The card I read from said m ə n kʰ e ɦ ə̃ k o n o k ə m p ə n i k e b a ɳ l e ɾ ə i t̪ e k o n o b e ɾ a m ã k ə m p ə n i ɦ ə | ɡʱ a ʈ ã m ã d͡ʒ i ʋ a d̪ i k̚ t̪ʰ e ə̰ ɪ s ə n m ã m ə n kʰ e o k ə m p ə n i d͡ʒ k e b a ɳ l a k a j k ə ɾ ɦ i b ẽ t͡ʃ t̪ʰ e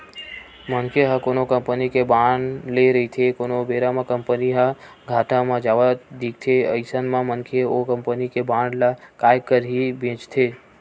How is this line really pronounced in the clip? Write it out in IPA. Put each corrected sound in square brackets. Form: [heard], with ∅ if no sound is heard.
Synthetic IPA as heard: m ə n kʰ e ɦ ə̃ k o n o k ə m p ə n i k e b a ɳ l e ɾ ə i [t̪ʰ] e k o n o b e ɾ a m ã k ə m p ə n i ɦ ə | ɡʱ a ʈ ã m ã d͡ʒ [a] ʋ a d̪ i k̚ t̪ʰ e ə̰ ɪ s ə n m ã m ə n kʰ e o k ə m p ə n i [∅] k e b a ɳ l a k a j k ə ɾ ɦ i b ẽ t͡ʃ t̪ʰ e